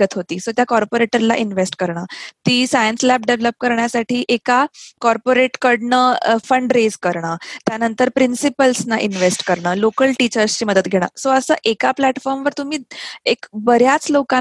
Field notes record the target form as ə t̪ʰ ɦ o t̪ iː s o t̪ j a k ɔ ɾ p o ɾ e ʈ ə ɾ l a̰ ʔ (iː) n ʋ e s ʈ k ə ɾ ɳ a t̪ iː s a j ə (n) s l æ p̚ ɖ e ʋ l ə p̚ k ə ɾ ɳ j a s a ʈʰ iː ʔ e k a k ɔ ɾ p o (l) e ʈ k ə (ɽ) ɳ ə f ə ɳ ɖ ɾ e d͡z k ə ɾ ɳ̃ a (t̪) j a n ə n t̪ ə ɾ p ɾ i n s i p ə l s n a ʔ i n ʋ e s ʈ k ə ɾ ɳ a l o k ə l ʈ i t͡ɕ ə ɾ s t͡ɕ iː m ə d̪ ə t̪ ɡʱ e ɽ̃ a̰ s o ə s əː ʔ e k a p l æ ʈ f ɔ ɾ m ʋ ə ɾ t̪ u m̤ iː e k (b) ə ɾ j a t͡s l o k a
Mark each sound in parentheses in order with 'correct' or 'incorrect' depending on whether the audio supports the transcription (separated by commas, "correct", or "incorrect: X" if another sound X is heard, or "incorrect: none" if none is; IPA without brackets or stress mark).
incorrect: i, correct, incorrect: ɾ, correct, correct, correct